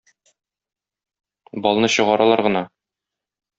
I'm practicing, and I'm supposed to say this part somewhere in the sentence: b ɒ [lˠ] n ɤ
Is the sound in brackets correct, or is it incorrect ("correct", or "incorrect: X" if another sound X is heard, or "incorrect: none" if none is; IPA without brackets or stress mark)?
correct